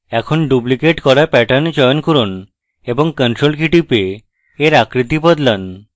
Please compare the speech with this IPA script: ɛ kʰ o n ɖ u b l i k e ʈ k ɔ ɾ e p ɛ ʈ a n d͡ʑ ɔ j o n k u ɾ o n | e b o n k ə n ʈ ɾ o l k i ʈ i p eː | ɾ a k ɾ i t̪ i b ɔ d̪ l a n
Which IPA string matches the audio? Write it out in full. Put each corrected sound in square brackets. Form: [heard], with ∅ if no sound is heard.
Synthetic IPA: ɛ kʰ o n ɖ u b l i k e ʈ k ɔ ɾ [a] p ɛ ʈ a n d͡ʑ ɔ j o n k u ɾ o n | e b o [ŋ] k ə n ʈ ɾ o l k i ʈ i p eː | ɾ a k ɾ i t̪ i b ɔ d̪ l a n